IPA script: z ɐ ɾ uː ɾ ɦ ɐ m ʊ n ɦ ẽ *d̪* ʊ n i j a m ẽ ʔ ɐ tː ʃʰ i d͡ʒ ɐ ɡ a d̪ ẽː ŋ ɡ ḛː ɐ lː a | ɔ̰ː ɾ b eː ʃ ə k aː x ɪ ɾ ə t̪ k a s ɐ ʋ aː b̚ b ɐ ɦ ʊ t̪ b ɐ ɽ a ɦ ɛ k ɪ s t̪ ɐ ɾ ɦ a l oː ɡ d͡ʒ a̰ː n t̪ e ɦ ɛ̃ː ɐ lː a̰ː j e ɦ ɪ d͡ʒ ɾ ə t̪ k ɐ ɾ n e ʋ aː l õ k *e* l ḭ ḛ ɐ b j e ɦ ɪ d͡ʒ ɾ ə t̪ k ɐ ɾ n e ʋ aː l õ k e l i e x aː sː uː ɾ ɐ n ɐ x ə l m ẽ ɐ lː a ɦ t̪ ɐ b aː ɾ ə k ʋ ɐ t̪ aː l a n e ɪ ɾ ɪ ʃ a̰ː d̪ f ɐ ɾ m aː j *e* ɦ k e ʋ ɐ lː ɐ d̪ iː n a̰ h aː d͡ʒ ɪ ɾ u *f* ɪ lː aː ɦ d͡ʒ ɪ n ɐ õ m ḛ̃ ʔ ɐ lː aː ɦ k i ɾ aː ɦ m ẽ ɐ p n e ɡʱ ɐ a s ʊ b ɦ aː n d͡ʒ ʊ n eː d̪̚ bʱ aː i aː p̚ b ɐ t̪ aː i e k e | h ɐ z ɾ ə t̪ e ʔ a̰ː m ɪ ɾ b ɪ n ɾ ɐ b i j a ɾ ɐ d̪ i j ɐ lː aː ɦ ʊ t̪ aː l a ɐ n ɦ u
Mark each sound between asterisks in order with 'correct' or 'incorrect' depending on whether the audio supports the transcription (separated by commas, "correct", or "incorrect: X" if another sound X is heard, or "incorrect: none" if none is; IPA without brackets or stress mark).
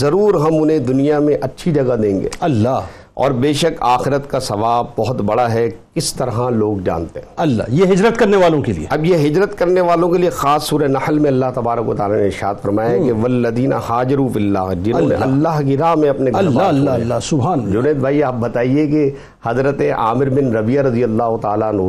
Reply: correct, correct, incorrect: a, correct